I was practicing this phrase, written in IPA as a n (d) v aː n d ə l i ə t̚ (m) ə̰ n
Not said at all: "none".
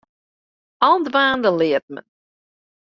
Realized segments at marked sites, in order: d, m

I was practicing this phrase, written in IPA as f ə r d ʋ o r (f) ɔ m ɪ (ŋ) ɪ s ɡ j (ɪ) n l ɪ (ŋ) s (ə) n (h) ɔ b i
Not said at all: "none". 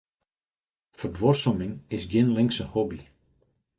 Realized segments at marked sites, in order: s, ŋ, ɪ, ŋ, ə, h

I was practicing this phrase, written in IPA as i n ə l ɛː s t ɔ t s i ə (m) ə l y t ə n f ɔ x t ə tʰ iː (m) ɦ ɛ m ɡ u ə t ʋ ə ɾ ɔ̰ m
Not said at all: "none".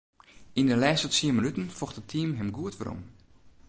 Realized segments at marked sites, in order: m, m

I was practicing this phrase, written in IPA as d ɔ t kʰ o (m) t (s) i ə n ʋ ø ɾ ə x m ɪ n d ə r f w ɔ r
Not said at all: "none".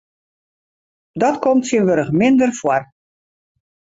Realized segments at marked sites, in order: m, s

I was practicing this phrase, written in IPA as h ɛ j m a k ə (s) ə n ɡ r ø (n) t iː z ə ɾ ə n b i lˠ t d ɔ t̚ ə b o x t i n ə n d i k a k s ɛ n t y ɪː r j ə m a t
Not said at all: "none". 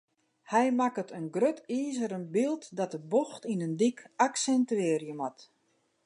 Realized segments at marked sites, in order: t, none

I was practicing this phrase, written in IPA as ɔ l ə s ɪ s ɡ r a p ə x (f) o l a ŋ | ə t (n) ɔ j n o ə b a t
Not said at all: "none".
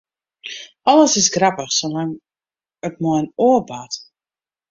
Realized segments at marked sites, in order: s, m

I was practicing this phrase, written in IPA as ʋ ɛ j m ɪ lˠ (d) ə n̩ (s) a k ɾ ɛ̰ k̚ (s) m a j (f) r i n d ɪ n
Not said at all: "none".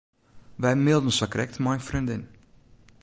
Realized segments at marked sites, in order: d, s, t, f

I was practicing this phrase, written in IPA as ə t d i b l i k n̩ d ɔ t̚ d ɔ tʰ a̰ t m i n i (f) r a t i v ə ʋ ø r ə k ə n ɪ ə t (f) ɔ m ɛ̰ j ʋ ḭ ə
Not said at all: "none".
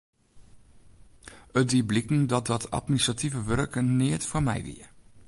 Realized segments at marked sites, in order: s, f

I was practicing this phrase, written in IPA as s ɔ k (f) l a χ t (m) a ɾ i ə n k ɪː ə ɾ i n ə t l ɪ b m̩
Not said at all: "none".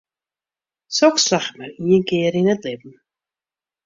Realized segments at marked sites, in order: s, m

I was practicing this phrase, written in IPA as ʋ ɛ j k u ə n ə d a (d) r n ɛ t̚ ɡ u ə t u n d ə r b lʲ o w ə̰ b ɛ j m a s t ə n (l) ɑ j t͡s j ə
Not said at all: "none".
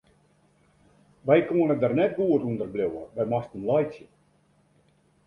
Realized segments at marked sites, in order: none, l

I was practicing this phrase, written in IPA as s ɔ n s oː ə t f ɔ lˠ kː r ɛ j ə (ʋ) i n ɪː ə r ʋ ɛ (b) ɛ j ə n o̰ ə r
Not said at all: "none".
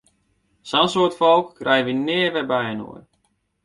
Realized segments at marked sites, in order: ʋ, b

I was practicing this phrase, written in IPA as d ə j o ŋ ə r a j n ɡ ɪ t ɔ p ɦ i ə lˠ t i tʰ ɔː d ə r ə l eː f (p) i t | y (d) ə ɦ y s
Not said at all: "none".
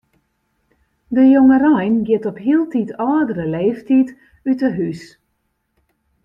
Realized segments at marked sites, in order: t, t

